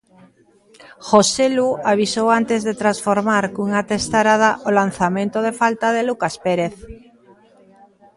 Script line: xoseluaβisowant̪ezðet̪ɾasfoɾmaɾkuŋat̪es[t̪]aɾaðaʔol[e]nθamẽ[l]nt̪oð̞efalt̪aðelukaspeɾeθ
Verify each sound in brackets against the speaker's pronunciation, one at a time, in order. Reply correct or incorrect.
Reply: correct, incorrect, incorrect

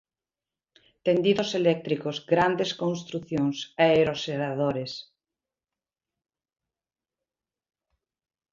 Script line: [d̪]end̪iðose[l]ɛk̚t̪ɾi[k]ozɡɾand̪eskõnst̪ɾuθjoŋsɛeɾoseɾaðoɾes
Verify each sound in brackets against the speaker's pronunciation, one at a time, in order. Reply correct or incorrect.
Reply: incorrect, correct, correct

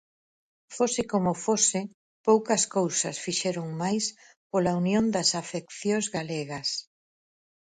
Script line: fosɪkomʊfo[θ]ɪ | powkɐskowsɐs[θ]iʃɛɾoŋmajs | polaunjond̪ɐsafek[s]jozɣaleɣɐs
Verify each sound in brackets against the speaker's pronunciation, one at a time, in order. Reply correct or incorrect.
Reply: incorrect, incorrect, incorrect

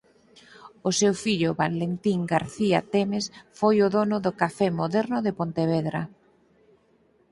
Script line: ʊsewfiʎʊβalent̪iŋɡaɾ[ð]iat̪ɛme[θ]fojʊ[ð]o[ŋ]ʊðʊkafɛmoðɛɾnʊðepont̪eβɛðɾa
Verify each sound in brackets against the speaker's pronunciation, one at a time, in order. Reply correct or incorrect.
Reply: incorrect, incorrect, correct, incorrect

